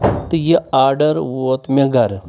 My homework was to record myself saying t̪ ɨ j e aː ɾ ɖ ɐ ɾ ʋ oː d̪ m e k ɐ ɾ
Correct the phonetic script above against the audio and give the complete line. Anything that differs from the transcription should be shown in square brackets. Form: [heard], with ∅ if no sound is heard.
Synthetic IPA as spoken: t̪ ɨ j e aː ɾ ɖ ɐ ɾ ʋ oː [t̪] m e [ɡ] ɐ ɾ